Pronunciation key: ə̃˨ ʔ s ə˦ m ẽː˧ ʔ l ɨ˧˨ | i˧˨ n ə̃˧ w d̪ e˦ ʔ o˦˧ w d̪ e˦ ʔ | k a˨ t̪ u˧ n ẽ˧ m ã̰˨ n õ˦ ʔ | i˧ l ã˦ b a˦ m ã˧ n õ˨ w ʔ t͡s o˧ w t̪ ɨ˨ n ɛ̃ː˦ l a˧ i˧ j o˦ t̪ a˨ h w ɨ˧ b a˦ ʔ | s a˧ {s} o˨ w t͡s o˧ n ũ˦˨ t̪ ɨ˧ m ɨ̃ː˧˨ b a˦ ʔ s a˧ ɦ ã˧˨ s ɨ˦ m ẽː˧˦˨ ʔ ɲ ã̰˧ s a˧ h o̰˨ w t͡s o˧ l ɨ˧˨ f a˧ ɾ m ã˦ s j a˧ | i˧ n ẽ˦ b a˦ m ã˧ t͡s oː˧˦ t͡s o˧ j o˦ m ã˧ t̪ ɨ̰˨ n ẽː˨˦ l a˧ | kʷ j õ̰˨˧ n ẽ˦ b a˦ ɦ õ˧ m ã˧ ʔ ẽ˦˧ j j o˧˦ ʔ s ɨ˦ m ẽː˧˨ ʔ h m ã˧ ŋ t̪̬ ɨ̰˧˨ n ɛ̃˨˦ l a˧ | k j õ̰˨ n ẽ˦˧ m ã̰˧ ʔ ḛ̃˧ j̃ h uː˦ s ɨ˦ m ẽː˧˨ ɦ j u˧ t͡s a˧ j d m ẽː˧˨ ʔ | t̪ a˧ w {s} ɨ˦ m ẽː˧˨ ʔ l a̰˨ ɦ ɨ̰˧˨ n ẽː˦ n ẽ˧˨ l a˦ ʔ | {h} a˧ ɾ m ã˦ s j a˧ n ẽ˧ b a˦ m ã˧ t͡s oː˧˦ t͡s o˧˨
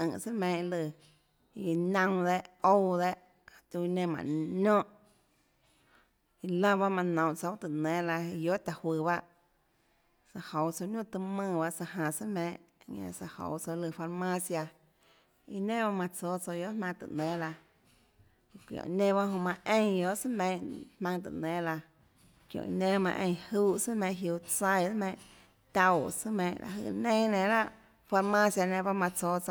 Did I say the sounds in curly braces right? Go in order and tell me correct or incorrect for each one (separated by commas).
incorrect, correct, incorrect